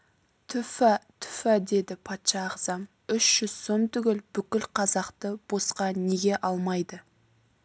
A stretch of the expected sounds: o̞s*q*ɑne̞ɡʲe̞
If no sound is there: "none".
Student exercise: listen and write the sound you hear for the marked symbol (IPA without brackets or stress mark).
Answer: q